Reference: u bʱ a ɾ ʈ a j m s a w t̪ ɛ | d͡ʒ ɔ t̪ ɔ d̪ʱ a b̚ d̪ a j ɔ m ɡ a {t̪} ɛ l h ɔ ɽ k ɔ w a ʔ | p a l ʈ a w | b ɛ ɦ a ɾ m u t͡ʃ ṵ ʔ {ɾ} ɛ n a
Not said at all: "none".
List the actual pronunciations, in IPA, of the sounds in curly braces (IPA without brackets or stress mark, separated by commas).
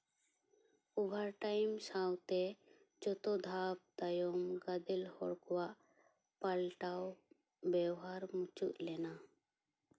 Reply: d̪, l